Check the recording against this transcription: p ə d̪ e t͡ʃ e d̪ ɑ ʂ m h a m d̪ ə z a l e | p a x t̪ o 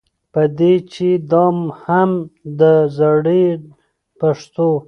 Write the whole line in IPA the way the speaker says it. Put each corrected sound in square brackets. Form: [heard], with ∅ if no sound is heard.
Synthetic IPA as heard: p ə d̪ e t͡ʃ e d̪ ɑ [∅] m h a m d̪ ə z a [ɽ] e | p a [ʂ] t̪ o